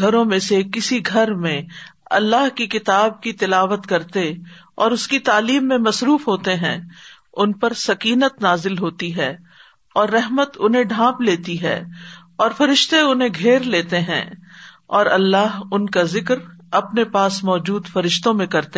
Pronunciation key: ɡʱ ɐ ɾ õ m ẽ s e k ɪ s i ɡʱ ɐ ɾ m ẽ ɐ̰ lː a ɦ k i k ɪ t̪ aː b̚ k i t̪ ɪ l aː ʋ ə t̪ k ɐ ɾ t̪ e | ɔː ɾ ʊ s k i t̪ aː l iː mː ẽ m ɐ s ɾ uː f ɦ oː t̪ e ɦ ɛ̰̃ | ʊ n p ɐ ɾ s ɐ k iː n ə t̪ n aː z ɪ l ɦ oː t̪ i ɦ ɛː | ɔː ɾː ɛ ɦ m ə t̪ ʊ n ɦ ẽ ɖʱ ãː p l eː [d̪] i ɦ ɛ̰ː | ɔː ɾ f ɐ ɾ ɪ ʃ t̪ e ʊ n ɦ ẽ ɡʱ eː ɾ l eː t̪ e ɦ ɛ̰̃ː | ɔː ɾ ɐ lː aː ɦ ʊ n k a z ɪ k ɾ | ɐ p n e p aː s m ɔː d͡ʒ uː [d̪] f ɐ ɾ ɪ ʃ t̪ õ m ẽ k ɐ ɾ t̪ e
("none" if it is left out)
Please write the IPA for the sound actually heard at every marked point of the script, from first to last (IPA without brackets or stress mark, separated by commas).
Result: t̪, d̪